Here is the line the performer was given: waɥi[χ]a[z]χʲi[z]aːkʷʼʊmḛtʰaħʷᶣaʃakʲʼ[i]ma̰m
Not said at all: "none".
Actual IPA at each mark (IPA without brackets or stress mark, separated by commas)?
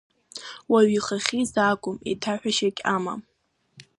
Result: χ, none, z, a